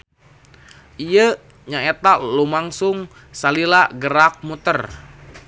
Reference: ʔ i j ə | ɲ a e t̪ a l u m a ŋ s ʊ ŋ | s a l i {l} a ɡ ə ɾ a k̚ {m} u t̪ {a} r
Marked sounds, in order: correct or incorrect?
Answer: correct, correct, incorrect: ə

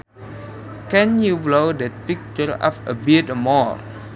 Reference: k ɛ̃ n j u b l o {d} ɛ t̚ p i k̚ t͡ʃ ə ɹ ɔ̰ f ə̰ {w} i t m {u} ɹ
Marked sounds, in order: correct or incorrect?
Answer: correct, incorrect: b, incorrect: ɔ

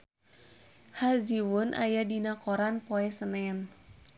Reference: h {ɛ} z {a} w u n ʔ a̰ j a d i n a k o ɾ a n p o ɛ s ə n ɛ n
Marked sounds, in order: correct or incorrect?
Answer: incorrect: a, incorrect: i

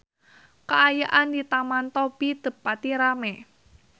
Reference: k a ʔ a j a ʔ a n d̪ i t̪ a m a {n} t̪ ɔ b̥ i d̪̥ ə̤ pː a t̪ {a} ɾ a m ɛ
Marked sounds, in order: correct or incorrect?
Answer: correct, incorrect: i

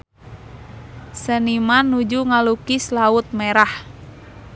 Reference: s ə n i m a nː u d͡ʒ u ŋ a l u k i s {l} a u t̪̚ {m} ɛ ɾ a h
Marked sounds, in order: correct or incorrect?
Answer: correct, correct

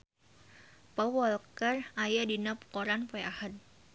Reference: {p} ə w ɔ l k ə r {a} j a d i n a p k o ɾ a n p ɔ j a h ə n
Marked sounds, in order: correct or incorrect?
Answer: correct, correct

